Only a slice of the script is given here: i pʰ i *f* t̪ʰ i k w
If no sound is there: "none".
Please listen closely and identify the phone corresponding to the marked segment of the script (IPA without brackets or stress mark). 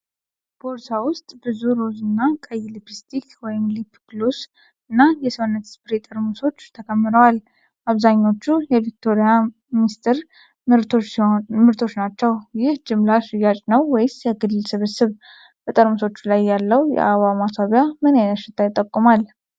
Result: s